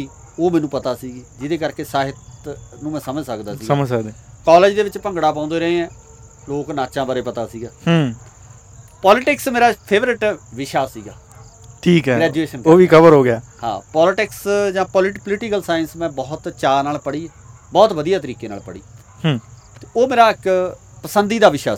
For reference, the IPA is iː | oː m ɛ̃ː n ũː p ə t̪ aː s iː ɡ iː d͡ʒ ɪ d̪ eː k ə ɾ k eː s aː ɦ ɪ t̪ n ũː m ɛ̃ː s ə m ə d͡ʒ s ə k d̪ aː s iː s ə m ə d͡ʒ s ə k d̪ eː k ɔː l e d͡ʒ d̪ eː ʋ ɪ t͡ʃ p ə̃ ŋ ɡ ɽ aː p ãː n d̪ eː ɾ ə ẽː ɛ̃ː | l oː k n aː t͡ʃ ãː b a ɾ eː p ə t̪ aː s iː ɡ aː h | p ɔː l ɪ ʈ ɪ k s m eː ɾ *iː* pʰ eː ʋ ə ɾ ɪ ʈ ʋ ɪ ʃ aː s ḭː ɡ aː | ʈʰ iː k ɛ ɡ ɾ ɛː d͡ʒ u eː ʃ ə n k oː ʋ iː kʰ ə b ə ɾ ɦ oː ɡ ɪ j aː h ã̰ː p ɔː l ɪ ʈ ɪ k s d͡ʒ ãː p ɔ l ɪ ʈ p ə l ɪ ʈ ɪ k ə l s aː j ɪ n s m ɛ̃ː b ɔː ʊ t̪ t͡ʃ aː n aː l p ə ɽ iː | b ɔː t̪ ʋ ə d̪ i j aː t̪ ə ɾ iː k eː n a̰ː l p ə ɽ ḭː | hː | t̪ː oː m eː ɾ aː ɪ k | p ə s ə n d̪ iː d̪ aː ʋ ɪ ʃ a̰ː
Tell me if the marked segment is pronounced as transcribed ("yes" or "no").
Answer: no